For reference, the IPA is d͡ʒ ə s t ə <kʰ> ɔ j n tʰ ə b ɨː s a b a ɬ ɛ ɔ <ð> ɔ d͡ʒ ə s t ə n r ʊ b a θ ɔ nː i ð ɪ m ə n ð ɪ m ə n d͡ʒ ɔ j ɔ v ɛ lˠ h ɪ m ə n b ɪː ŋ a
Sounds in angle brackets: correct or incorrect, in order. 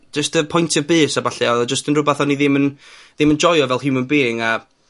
incorrect, correct

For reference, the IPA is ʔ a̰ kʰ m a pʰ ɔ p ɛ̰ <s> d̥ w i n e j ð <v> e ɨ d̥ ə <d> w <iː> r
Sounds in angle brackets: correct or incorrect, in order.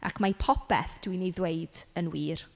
incorrect, incorrect, incorrect, correct

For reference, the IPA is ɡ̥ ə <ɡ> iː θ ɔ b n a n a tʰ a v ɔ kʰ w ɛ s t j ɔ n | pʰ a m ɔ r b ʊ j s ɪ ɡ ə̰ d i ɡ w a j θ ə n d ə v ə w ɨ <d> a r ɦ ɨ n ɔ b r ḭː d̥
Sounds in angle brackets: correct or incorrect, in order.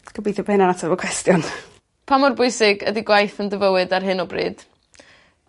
incorrect, correct

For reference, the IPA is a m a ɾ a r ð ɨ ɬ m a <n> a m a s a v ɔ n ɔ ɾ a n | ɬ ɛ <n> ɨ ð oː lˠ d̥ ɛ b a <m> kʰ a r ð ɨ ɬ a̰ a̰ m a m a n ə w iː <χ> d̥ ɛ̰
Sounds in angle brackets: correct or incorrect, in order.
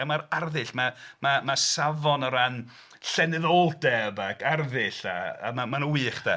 incorrect, correct, incorrect, correct

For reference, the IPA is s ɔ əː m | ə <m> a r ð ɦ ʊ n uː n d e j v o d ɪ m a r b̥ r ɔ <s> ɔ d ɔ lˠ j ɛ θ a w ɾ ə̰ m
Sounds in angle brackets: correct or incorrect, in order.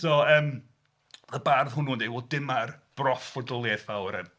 incorrect, incorrect

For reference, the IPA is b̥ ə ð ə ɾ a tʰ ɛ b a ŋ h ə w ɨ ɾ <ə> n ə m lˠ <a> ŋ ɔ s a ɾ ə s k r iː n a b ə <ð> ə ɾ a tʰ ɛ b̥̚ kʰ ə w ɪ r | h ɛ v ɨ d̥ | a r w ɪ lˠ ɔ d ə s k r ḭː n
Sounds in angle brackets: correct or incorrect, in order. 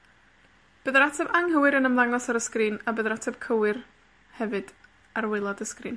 correct, correct, correct

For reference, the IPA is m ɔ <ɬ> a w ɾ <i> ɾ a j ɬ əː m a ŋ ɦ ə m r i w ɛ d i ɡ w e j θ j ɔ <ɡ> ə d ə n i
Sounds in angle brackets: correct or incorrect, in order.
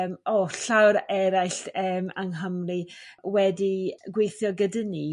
correct, incorrect, correct

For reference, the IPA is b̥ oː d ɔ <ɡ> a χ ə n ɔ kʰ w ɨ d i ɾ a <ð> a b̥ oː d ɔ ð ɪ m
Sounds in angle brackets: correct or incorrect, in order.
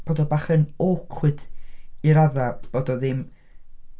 incorrect, correct

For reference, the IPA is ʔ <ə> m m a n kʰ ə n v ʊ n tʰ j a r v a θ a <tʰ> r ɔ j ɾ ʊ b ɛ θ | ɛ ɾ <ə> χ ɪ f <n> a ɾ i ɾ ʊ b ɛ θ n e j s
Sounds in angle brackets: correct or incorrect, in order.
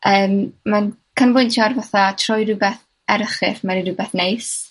incorrect, correct, correct, incorrect

